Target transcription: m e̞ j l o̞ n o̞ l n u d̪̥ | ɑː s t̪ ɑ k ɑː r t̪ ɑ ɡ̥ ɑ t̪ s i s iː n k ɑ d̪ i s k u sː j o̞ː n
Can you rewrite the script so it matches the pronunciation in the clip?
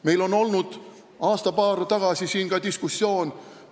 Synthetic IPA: m e̞ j l o̞ n o̞ l n u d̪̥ | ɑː s t̪ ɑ p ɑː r t̪ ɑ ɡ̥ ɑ s i s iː n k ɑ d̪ i s k u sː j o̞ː n

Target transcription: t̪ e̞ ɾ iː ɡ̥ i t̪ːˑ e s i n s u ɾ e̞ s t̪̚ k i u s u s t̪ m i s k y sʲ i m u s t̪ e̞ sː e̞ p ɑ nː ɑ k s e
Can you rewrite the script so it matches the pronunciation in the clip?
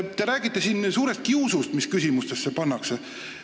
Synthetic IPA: t̪ e̞ ɾ æː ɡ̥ i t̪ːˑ e s i n s uː ɾ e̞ s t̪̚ k i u s u s t̪ m i s k y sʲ i m u s t̪ e̞ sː e̞ p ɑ nː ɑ k s e

